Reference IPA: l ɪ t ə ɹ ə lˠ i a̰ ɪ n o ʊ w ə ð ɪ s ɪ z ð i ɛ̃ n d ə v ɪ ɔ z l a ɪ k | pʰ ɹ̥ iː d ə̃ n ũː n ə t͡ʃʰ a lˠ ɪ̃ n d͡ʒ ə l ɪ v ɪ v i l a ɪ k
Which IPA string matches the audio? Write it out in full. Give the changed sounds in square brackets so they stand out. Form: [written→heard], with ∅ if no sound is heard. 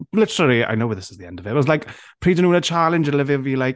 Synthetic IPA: l ɪ t ə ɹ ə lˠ i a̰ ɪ n o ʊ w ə ð ɪ s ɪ z ð i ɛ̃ n d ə v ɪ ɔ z l a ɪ k | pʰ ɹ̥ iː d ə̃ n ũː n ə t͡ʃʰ a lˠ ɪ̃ n d͡ʒ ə l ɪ v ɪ v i l a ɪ k